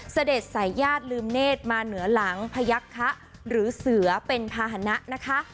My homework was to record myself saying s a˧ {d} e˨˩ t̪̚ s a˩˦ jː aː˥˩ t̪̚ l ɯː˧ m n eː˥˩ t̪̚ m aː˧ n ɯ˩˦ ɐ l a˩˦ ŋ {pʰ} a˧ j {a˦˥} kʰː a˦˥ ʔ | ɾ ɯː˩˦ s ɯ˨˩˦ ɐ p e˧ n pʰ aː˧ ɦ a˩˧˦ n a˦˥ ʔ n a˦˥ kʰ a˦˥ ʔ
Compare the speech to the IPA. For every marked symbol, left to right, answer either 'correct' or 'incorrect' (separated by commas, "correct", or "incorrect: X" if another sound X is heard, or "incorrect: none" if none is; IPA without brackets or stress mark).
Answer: correct, correct, correct